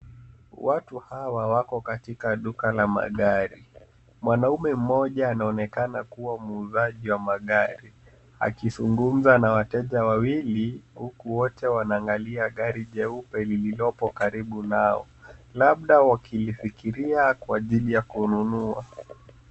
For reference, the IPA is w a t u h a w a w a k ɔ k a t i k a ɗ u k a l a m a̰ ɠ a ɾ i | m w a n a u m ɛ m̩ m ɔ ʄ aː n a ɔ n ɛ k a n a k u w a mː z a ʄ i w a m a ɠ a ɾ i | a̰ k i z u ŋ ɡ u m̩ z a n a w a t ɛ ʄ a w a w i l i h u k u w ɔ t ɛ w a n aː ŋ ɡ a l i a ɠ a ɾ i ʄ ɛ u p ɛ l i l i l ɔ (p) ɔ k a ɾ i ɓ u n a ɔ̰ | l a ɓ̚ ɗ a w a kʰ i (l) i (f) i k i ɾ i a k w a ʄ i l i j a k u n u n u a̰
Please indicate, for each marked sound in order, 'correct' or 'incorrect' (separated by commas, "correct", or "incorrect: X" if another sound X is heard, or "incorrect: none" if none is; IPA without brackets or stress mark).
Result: correct, correct, correct